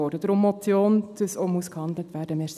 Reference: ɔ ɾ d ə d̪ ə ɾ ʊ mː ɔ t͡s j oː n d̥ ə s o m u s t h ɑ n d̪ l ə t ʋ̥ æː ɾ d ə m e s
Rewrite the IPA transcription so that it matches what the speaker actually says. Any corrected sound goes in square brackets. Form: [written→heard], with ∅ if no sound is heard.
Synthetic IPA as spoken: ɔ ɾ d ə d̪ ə ɾ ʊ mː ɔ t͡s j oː n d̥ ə s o m u s [t→k] h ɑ n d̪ l ə t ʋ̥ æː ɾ d ə m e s